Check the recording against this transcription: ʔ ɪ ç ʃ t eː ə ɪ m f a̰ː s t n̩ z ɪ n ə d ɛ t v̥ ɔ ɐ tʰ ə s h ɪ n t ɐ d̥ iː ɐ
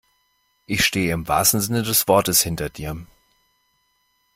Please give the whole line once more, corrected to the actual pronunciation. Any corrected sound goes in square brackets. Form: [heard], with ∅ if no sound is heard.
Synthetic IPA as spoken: ʔ ɪ ç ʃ t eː ə ɪ m [v] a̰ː s t n̩ z ɪ n ə d ɛ [s] v̥ ɔ ɐ [t] ə s h ɪ n t ɐ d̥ iː ɐ

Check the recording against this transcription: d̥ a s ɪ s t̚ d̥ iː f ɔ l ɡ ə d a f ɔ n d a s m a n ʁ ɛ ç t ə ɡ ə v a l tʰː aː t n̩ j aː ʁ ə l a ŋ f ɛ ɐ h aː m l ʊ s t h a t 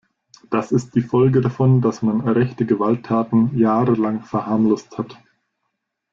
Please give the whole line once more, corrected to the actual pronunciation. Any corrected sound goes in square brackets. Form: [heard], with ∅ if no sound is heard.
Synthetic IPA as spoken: d̥ a s ɪ s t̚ d̥ iː f ɔ l ɡ ə d a f ɔ n d a s m a n ʁ ɛ ç t ə ɡ ə v a l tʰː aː t n̩ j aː ʁ ə l a ŋ f ɛ ɐ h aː m l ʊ s t h a t

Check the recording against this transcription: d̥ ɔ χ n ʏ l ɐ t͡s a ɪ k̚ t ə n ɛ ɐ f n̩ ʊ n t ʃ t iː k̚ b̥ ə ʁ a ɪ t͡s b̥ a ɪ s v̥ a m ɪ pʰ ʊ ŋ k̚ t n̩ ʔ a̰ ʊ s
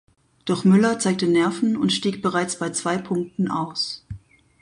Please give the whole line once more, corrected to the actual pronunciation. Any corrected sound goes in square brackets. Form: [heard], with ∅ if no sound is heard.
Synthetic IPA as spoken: d̥ ɔ χ [m] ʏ l ɐ t͡s a ɪ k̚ t ə n ɛ ɐ f n̩ ʊ n t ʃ t iː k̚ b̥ ə ʁ a ɪ t͡s b̥ a ɪ [t͡s] v̥ a [∅] ɪ pʰ ʊ ŋ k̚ t n̩ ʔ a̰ ʊ s

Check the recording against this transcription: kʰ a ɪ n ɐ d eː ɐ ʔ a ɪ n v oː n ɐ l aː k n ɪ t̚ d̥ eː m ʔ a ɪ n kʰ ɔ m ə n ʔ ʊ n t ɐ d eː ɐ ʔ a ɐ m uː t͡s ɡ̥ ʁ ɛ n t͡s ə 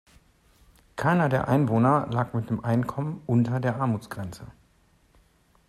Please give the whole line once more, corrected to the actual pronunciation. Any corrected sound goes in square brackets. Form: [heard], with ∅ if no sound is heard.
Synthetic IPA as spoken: kʰ a ɪ n ɐ d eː ɐ ʔ a ɪ n v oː n ɐ l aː k [m] ɪ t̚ d̥ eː m ʔ a ɪ n kʰ ɔ m ə n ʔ ʊ n t ɐ d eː ɐ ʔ a ɐ m uː t͡s ɡ̥ ʁ ɛ n t͡s ə

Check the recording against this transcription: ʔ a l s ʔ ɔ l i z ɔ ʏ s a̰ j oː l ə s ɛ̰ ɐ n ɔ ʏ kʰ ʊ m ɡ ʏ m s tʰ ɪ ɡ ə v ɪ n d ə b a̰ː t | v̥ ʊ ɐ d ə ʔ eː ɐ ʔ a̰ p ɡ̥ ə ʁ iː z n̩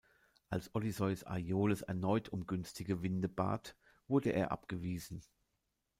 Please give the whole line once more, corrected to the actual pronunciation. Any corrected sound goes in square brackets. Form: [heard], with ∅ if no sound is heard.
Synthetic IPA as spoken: ʔ a l s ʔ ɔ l i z ɔ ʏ s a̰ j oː l ə s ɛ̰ ɐ n ɔ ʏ [tʰ] ʊ m ɡ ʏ [n] s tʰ ɪ ɡ ə v ɪ n d ə b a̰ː t | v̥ ʊ ɐ d ə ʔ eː ɐ ʔ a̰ p ɡ̥ ə [v] iː z n̩

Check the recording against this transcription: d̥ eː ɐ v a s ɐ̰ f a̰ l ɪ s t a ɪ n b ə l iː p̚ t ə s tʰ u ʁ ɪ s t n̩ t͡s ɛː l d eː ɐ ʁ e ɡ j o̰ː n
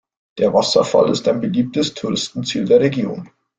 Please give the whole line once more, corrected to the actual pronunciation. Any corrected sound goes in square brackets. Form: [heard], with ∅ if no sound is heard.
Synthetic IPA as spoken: d̥ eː ɐ v a s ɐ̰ f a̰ l ɪ s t a ɪ n b ə l iː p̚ t ə s tʰ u ʁ ɪ s t n̩ t͡s [iː] l d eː ɐ ʁ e ɡ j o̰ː n

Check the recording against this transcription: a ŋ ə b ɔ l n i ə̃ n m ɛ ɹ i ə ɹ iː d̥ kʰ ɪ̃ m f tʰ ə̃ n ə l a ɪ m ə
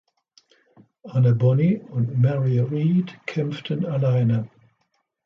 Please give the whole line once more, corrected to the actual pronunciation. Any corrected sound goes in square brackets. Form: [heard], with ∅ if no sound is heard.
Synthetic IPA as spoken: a [n] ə b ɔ [∅] n i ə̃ n m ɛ ɹ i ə ɹ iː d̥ kʰ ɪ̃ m f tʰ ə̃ n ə l a ɪ [n] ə

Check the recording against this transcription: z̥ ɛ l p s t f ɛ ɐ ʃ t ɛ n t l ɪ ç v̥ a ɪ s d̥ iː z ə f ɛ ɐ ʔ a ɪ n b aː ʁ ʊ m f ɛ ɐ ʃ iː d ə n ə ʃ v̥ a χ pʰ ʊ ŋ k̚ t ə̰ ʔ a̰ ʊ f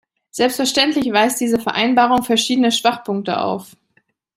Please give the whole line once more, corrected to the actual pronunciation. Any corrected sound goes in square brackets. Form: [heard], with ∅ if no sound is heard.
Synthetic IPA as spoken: z̥ ɛ l p s t f ɛ ɐ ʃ t ɛ n t l ɪ ç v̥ a ɪ s d̥ iː z ə f ɛ ɐ ʔ a ɪ n b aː ʁ ʊ [ŋ] f ɛ ɐ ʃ iː d ə n ə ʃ v̥ a χ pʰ ʊ ŋ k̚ t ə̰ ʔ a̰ ʊ f

